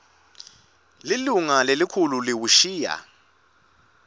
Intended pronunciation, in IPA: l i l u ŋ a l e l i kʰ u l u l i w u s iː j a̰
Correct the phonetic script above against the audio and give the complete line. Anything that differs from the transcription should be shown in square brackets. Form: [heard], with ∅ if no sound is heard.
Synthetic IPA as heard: l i l u ŋ a l e l i kʰ u l u l i w u [ʃ] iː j a̰